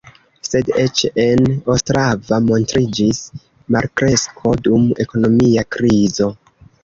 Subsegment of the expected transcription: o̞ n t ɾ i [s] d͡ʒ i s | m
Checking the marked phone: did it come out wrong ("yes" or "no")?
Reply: yes